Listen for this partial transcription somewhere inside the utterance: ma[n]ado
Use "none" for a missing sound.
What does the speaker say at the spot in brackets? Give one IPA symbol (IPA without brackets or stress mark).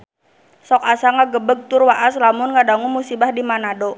n